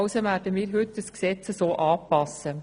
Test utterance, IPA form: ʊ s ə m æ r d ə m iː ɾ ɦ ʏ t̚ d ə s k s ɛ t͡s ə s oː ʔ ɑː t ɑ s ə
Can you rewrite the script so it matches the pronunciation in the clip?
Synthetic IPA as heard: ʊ s ə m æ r d ə m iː ɾ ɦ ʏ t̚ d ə s k s ɛ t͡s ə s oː ʔ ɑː p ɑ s ə